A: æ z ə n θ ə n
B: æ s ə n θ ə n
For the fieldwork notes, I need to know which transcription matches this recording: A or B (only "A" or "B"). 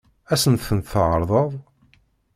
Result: B